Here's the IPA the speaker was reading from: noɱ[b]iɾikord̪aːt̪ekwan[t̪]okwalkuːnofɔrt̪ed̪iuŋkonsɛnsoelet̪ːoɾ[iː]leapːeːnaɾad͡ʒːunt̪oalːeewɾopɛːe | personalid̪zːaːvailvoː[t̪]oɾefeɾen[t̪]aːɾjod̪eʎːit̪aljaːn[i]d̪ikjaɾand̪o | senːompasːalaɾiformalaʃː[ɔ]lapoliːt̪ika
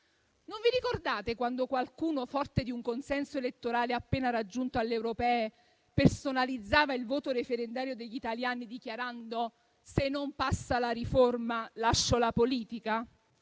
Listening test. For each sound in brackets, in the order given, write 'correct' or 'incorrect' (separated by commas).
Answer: incorrect, incorrect, incorrect, correct, incorrect, correct, incorrect